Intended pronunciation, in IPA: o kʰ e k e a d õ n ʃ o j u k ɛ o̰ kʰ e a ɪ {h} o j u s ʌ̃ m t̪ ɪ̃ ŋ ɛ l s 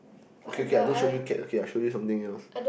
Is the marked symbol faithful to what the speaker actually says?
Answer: no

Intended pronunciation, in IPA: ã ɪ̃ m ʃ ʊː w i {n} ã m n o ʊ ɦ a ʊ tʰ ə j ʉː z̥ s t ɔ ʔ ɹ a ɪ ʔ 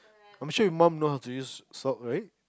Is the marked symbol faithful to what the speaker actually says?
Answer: no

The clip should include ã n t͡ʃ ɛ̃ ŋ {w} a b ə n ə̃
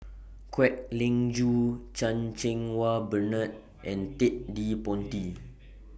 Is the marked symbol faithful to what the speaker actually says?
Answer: yes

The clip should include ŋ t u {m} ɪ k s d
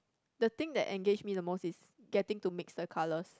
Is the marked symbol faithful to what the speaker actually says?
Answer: yes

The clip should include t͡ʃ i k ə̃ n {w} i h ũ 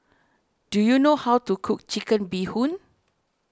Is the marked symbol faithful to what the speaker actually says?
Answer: no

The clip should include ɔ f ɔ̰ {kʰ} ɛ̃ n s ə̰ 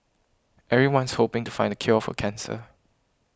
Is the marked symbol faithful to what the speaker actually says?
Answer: yes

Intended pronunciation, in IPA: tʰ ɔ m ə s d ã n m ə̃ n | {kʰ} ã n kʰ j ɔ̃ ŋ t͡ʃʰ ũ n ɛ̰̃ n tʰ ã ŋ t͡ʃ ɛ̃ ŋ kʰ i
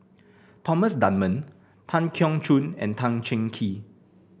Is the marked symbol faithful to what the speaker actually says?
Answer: no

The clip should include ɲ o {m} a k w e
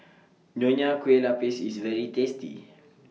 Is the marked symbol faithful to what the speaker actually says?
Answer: no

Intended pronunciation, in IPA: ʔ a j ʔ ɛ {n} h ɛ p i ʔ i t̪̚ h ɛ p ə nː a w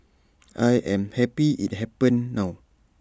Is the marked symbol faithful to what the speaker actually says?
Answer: no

